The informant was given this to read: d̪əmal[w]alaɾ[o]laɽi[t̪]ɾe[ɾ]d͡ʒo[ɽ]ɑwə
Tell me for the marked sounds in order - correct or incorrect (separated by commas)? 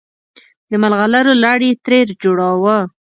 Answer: incorrect, correct, correct, correct, correct